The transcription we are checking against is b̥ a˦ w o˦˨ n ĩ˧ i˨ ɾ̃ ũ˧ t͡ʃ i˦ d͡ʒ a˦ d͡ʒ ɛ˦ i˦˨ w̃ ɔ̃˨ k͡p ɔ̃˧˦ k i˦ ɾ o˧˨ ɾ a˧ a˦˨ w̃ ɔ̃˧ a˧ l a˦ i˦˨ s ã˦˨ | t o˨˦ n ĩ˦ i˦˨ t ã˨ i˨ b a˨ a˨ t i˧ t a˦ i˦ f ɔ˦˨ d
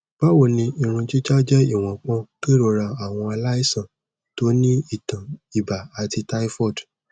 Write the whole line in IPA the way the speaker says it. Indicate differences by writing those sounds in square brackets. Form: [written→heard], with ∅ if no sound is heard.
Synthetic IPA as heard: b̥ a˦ w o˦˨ n ĩ˧ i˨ ɾ̃ ũ˧ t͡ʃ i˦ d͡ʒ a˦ d͡ʒ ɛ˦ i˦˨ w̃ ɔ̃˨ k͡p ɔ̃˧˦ k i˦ ɾ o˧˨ ɾ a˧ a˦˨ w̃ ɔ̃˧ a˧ l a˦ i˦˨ s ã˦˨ | t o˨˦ n ĩ˦ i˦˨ t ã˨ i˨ b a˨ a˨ t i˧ t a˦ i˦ f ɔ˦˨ d